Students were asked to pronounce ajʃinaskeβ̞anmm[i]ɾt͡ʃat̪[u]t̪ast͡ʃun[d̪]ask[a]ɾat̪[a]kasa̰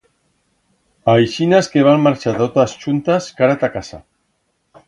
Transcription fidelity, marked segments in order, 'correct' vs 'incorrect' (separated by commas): incorrect, incorrect, incorrect, correct, correct